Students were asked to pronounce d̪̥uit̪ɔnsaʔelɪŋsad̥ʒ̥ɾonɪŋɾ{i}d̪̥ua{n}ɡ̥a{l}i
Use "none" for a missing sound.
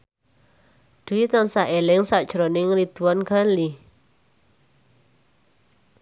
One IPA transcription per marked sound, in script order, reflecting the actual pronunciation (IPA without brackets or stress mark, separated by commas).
i, n, l